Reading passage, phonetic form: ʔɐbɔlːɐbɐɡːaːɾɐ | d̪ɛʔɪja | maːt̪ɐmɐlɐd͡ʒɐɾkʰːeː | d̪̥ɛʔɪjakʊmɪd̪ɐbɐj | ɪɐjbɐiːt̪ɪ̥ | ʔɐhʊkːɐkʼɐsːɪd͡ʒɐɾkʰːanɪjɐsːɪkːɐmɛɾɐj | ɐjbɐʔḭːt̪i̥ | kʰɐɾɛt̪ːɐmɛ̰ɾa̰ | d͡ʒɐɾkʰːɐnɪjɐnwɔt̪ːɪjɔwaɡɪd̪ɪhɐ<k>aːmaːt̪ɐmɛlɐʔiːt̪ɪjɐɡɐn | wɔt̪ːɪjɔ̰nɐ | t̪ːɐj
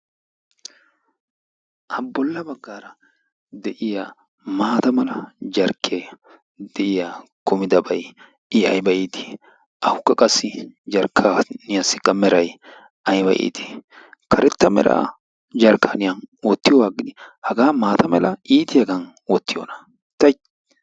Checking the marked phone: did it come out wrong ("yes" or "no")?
yes